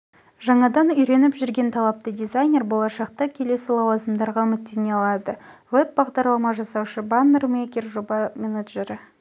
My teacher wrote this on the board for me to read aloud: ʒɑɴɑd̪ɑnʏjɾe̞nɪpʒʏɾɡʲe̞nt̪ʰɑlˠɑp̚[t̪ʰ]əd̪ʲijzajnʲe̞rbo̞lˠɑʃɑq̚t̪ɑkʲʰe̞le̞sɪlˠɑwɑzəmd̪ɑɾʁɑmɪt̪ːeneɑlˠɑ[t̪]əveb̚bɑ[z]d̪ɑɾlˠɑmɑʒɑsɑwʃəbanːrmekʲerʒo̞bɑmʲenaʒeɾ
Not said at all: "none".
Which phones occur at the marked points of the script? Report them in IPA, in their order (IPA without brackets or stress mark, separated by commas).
t̪, d̪, ʁ